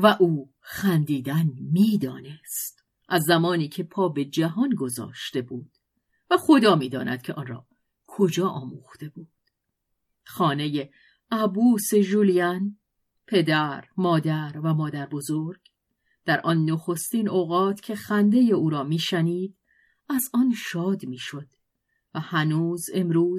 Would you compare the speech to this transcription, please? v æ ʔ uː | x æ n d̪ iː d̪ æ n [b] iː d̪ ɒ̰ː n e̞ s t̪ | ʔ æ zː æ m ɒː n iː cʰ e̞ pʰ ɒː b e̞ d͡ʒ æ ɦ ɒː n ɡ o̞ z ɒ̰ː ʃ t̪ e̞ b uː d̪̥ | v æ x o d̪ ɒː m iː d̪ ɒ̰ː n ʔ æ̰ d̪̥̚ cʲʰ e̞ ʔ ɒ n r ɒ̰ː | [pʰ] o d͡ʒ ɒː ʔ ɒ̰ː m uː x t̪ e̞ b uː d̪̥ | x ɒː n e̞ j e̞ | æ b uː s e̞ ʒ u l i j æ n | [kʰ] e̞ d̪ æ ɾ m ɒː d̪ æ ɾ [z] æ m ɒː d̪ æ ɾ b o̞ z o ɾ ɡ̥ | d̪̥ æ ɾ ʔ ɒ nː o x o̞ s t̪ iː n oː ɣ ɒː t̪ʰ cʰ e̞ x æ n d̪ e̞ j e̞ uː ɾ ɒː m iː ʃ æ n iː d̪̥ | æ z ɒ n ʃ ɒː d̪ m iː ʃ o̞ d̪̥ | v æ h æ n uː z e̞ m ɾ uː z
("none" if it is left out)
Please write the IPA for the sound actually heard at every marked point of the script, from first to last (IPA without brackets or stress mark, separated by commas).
m, kʰ, pʰ, v